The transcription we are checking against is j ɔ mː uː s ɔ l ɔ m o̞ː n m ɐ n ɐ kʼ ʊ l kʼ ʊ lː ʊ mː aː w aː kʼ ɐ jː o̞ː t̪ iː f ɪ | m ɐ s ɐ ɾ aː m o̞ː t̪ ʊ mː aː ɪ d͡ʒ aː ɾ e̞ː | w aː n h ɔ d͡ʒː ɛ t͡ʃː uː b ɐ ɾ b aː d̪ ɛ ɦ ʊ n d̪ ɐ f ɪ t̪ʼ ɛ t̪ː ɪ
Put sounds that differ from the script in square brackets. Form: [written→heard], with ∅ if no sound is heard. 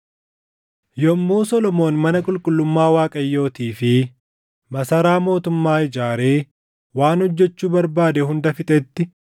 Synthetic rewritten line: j ɔ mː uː s ɔ l ɔ m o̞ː n m ɐ n ɐ kʼ ʊ l kʼ ʊ lː ʊ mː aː w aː kʼ ɐ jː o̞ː t̪ iː f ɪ | m ɐ s ɐ ɾ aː m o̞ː t̪ ʊ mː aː ɪ d͡ʒ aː ɾ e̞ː | w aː n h ɔ d͡ʒː ɛ t͡ʃː uː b ɐ ɾ b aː d̪ ɛ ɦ ʊ n d̪ ɐ f ɪ t̪ʼ ɛ t̪ː ɪ